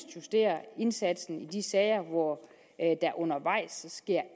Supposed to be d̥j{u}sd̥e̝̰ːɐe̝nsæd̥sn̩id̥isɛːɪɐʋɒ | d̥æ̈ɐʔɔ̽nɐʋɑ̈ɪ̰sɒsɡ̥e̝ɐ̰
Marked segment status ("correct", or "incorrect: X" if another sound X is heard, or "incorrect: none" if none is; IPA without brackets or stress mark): correct